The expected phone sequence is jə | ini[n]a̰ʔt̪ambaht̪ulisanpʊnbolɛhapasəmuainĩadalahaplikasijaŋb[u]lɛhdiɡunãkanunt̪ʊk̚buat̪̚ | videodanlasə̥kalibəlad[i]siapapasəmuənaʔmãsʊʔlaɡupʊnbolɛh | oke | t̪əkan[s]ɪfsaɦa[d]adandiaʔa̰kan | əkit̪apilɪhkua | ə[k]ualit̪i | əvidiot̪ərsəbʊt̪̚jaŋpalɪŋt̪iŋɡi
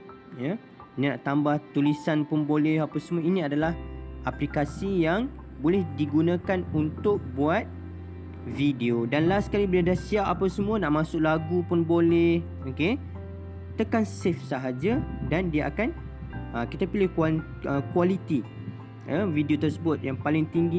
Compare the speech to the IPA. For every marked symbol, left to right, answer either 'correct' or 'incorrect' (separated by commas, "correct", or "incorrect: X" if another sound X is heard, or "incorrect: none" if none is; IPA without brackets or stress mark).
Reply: correct, incorrect: o, incorrect: a, correct, incorrect: d͡ʒ, correct